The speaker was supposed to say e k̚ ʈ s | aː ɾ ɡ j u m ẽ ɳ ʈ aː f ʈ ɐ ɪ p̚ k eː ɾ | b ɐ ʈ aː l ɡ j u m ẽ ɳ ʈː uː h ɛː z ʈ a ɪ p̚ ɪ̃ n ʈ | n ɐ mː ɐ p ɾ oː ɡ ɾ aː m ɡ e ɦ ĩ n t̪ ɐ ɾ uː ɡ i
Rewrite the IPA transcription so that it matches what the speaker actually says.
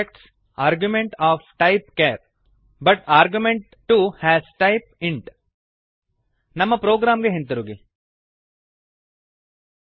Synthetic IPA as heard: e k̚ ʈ s | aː ɾ ɡ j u m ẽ ɳ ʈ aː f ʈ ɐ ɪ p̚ k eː ɾ | b ɐ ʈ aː ɾ ɡ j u m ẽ ɳ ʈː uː h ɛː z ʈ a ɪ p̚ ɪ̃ ɳ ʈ | n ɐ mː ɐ p ɾ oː ɡ ɾ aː m ɡ e ɦ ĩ n t̪ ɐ ɾ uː ɡ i